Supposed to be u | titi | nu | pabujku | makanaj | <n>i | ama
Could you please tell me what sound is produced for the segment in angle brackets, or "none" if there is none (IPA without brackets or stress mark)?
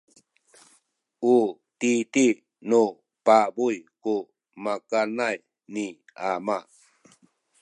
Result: n